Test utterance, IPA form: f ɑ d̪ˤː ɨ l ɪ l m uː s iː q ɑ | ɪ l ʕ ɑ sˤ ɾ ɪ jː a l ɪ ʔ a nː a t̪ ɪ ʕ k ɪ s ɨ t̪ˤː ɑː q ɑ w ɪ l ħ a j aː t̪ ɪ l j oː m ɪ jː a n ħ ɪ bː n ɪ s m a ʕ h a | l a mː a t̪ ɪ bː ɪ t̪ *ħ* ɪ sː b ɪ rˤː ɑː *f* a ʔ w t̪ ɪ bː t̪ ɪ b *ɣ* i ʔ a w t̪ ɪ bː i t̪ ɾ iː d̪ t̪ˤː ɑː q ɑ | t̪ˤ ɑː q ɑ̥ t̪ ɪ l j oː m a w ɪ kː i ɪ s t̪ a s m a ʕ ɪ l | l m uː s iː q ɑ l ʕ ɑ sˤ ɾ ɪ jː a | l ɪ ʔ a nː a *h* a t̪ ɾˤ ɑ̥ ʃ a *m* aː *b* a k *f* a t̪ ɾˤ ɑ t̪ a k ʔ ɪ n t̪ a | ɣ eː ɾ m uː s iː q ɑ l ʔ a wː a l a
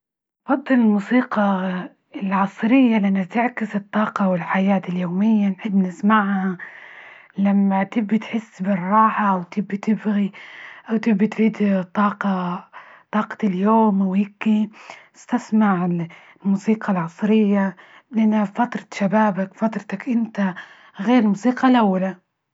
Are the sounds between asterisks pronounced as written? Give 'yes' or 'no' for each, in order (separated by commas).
yes, no, yes, no, no, yes, yes